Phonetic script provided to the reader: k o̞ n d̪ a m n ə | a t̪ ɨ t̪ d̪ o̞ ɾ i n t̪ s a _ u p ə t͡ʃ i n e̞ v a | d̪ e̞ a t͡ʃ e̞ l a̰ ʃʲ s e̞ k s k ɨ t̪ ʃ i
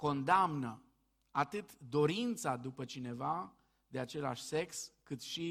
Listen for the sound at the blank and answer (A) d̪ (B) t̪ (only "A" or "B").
A